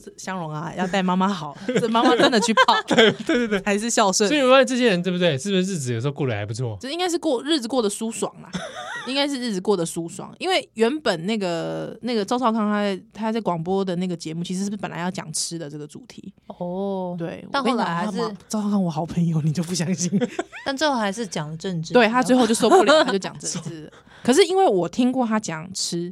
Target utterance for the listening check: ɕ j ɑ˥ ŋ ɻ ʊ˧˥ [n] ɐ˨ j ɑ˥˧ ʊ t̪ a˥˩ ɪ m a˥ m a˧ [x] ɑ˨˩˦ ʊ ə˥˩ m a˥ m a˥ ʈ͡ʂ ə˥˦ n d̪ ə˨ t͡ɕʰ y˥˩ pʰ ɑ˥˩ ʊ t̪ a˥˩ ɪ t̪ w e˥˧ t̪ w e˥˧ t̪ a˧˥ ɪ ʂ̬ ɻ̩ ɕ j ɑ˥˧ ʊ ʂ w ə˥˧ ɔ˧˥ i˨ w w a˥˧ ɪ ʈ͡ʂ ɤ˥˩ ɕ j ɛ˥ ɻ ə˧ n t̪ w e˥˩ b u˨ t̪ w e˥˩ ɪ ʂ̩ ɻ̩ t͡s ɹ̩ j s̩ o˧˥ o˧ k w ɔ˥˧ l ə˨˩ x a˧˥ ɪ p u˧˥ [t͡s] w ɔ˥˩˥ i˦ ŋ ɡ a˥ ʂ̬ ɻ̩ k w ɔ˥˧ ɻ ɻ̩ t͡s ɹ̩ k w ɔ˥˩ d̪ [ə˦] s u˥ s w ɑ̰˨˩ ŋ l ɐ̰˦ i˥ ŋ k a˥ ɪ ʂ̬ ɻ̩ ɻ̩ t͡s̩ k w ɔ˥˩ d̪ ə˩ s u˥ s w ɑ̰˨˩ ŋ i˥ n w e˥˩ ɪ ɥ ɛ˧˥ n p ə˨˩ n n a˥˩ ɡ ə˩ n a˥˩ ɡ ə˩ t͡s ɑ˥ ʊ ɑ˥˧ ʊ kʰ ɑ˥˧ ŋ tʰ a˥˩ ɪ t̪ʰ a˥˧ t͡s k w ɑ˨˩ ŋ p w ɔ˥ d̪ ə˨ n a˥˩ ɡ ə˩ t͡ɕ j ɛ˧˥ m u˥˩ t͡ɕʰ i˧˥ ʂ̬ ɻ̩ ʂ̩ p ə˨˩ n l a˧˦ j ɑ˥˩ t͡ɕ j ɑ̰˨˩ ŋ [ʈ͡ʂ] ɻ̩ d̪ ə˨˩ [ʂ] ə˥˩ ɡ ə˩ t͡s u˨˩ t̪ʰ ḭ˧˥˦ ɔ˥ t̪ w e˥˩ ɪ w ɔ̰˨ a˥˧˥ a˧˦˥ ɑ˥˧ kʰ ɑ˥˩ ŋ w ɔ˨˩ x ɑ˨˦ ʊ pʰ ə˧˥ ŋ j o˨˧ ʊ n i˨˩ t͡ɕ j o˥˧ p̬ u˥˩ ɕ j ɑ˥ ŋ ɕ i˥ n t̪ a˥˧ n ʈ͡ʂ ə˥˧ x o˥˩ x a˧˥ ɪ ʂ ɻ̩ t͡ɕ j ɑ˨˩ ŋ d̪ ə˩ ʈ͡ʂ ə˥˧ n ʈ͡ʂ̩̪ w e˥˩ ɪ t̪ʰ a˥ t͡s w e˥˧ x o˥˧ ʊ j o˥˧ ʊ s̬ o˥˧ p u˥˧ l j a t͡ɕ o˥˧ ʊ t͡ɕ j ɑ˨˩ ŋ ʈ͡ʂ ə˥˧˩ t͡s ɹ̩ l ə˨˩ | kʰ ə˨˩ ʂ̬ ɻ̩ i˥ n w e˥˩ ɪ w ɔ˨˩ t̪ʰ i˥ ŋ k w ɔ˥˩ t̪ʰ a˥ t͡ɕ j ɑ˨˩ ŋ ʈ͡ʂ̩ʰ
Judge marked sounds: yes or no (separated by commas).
no, yes, no, no, no, no